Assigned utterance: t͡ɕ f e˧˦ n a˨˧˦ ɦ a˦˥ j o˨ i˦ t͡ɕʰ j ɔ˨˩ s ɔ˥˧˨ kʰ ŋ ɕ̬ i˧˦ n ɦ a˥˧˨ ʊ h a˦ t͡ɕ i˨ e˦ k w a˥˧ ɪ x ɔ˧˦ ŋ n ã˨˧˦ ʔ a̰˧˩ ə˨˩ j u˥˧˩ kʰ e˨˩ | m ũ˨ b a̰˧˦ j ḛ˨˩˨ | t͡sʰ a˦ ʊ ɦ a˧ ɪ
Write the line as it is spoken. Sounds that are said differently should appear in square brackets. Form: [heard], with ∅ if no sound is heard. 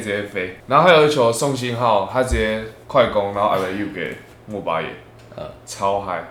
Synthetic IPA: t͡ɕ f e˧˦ n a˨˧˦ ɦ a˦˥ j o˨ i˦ t͡ɕʰ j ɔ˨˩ s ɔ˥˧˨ [∅] ŋ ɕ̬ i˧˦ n ɦ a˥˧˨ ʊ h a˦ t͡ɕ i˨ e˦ [kʰ] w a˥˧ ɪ [k] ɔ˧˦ ŋ n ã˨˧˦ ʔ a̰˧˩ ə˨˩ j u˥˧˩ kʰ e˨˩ | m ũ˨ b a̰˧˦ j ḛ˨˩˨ | t͡sʰ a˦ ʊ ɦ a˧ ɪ